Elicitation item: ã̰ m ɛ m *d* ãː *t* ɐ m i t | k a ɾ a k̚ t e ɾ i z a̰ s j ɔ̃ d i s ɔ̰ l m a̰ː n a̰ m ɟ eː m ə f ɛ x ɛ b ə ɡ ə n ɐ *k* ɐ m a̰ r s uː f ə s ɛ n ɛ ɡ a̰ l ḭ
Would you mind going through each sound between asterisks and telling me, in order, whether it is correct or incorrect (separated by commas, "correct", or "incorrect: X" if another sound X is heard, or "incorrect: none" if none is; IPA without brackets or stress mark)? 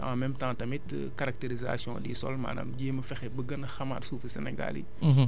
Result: incorrect: t, correct, incorrect: x